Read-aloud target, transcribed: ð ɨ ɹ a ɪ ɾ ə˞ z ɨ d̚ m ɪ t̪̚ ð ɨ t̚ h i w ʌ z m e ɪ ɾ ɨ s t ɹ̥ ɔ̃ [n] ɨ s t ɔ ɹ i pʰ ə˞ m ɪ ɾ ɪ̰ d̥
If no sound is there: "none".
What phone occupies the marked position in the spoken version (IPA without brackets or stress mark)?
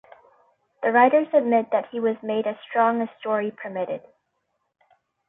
ŋ